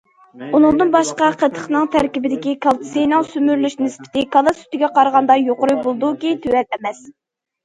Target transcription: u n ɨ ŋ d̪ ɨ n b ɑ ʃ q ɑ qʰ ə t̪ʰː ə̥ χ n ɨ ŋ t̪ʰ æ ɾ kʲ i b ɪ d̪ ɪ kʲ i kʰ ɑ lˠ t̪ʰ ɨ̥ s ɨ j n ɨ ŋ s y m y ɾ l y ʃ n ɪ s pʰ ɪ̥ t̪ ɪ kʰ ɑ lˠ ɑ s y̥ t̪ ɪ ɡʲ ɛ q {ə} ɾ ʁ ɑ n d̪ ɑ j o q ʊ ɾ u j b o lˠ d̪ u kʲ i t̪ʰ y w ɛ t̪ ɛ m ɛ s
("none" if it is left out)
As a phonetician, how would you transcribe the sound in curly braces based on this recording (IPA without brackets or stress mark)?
ɑ